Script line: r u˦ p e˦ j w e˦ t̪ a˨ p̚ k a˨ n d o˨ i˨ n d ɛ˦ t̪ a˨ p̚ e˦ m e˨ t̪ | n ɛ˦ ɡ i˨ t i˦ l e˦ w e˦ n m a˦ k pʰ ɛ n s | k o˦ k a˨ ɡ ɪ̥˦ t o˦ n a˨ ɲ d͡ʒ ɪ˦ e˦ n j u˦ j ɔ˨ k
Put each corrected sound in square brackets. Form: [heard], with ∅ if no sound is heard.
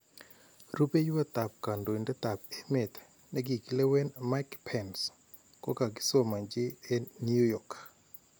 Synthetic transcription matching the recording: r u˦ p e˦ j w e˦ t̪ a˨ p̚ k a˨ n d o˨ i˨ n d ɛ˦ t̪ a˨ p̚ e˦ m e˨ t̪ | n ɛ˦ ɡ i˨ [k] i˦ l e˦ w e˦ n m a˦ k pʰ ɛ n s | k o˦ k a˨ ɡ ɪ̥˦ [s] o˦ [m] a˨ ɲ d͡ʒ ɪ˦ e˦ n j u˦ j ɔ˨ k